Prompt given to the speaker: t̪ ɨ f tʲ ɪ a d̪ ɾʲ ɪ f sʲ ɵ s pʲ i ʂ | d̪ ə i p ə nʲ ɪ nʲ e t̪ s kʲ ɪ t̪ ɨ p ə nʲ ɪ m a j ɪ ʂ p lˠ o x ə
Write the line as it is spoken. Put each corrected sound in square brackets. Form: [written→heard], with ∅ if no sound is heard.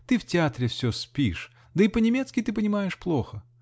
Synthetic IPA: t̪ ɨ f tʲ ɪ a [d̪→t̪] ɾʲ ɪ f sʲ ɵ s pʲ i ʂ | d̪ ə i p ə nʲ ɪ [nʲ→mʲ] e t̪ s kʲ ɪ t̪ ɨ p ə nʲ ɪ m a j ɪ ʂ p lˠ o x ə